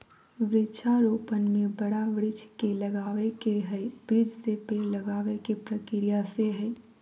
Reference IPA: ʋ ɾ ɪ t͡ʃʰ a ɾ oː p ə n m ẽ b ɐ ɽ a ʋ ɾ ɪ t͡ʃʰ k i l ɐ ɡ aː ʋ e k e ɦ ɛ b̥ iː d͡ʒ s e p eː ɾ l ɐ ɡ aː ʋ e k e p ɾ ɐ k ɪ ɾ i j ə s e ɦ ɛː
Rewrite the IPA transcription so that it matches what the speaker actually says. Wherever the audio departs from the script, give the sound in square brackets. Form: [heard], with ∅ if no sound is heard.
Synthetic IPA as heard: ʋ ɾ ɪ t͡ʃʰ a ɾ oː p ə n m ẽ b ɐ ɽ a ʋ ɾ ɪ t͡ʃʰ k [e] l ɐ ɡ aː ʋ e k e ɦ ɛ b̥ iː d͡ʒ s e p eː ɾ l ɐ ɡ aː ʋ e k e p ɾ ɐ k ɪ ɾ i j [a] s e ɦ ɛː